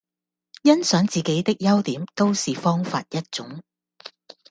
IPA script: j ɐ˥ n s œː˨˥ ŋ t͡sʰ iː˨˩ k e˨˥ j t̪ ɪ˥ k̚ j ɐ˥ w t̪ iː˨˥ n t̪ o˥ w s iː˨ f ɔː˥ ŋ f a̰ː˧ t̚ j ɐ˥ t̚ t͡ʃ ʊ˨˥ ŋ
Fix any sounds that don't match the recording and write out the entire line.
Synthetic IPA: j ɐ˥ n s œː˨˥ ŋ t͡s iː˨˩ k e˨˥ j t̪ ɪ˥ k̚ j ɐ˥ w t̪ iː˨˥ m t̪ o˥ w s iː˨ f ɔː˥ ŋ f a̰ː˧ t̚ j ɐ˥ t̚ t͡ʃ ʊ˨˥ ŋ